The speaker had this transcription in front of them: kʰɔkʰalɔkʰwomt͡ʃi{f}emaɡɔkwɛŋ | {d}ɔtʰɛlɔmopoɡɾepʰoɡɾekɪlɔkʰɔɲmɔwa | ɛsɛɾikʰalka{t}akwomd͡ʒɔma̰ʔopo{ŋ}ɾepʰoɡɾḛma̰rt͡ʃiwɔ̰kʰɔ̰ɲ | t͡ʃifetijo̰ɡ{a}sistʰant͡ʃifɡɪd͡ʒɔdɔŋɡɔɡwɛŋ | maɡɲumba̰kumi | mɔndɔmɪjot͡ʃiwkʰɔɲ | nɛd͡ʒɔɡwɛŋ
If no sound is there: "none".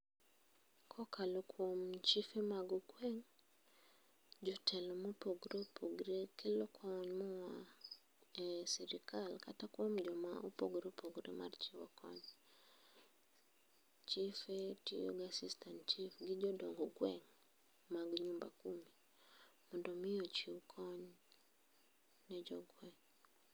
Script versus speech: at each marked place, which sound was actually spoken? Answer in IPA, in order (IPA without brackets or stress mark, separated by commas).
f, d͡ʒ, t, ɡ, a